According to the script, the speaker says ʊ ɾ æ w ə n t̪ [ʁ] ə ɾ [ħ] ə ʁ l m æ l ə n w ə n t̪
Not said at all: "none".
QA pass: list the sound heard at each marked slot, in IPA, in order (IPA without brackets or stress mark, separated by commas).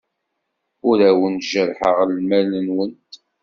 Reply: ʒ, ħ